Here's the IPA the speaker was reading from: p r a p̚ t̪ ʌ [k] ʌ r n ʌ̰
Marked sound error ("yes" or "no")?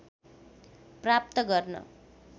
yes